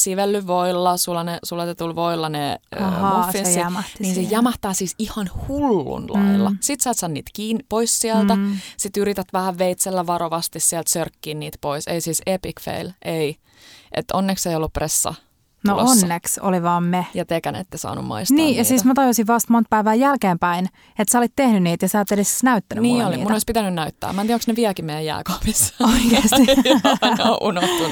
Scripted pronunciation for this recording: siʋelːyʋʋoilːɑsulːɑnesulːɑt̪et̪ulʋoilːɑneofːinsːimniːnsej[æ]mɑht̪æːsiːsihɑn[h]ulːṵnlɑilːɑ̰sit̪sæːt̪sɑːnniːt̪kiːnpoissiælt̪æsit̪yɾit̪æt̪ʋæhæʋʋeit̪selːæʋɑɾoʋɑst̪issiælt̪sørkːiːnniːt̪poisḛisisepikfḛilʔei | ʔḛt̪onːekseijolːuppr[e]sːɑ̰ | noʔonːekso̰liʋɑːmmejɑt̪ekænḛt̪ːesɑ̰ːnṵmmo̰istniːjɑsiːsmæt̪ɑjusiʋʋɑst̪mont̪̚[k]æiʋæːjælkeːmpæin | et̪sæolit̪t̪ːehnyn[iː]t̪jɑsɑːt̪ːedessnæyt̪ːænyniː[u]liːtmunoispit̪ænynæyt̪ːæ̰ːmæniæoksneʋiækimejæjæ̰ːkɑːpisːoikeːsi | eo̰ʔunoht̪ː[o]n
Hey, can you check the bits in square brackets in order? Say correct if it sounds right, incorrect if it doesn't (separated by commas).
correct, correct, correct, incorrect, correct, incorrect, incorrect